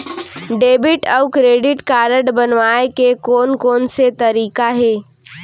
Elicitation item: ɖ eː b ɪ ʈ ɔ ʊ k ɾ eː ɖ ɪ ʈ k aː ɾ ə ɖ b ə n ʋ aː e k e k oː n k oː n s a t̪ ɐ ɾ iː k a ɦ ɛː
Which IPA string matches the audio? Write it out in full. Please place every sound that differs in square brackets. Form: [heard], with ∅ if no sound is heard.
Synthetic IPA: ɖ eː b ɪ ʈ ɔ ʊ k ɾ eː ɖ ɪ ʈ k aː ɾ ə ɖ b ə n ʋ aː e k e k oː n k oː n s [e] t̪ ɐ ɾ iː k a ɦ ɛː